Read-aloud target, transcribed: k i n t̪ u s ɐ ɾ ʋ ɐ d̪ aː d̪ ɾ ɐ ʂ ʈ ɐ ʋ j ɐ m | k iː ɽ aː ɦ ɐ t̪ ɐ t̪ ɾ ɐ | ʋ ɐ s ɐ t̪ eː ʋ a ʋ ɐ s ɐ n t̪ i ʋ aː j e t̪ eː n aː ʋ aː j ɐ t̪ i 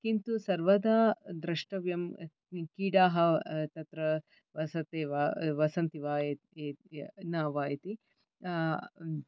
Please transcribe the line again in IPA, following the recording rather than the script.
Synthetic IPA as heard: k i n t̪ u s ɐ ɾ ʋ ɐ d̪ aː d̪ ɾ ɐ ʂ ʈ ɐ ʋ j ɐ m | k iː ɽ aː ɦ ɐ t̪ ɐ t̪ ɾ ɐ | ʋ ɐ s ɐ t̪ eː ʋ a ʋ ɐ s ɐ n t̪ i ʋ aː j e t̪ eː n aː ʋ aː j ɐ t̪ i